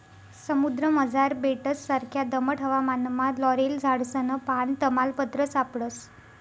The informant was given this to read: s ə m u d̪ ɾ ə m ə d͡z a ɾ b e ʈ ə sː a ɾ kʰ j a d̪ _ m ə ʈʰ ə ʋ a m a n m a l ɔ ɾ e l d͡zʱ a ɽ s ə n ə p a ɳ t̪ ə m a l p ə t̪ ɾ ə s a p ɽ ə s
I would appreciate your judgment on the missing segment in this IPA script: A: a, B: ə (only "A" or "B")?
B